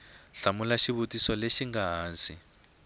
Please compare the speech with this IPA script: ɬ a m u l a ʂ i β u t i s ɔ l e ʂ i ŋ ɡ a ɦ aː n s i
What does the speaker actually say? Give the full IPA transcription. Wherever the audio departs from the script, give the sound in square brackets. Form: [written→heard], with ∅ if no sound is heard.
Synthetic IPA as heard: ɬ a m u l a [ʂ→ʃ] i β u t i s ɔ l e [ʂ→ʃ] i ŋ ɡ a ɦ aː n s i